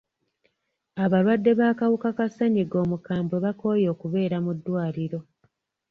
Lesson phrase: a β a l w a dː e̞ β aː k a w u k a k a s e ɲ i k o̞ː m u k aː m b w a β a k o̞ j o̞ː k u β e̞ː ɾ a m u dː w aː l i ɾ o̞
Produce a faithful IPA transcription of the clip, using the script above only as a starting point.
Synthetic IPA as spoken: a β a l w a dː e̞ β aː k a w u k a k a s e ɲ i ɡ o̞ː m u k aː m b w e β a k o̞ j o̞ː k u β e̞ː ɾ a m u dː w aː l i ɾ o̞